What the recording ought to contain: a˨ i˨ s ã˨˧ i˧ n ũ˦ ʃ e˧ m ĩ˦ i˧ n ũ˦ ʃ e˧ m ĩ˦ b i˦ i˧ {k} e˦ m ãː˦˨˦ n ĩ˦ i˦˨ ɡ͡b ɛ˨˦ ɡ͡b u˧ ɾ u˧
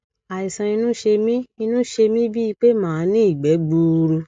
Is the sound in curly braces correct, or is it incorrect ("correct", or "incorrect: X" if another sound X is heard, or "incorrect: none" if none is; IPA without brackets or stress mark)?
incorrect: k͡p